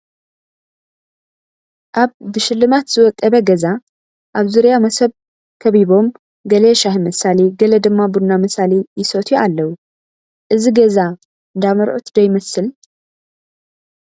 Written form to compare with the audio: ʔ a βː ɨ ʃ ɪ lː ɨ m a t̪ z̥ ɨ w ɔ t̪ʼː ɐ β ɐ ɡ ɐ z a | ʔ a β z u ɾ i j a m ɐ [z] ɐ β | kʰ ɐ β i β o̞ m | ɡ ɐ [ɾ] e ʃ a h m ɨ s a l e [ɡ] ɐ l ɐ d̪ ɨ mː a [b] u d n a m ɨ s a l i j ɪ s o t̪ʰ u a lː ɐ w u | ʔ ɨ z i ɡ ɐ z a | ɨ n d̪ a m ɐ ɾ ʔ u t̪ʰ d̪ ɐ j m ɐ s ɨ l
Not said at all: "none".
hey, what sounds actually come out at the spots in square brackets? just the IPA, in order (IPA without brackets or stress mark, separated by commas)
s, l, ɡ, b